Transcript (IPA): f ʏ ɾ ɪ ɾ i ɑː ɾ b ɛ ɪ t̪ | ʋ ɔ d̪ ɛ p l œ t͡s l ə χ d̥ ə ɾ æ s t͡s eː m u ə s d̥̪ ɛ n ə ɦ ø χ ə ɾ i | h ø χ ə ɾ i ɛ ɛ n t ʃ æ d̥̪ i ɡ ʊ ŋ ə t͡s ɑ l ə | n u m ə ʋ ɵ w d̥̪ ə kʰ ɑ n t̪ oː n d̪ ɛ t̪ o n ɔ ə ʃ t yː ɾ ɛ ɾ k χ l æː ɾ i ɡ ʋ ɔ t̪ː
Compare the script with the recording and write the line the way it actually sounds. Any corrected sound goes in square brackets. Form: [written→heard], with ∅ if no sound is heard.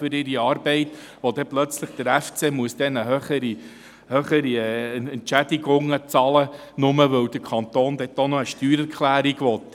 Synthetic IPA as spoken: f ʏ ɾ ɪ ɾ i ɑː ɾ b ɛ ɪ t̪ | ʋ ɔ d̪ ɛ p l œ t͡s l ə χ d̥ ə ɾ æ [s→f] t͡s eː m u ə s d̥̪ ɛ n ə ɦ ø χ ə ɾ i | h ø χ ə ɾ i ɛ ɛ n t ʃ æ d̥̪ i ɡ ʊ ŋ ə t͡s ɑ l ə | n [u→ʊ] m ə ʋ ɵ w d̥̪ ə kʰ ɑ n t̪ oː n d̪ ɛ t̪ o n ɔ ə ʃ t yː ɾ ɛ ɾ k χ l æː ɾ i ɡ ʋ ɔ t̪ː